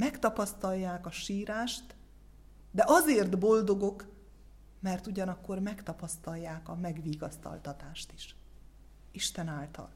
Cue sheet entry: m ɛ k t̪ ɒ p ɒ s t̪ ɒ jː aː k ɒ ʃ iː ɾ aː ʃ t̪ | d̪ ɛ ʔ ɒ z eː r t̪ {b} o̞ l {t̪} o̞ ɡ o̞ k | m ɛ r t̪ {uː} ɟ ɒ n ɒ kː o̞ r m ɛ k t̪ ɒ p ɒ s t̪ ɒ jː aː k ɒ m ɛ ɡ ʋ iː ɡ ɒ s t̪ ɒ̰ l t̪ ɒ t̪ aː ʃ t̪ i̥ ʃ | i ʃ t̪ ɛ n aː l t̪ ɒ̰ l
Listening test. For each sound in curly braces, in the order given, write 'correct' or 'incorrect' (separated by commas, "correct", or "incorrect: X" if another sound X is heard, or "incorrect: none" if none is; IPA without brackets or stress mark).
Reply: correct, incorrect: d̪, incorrect: u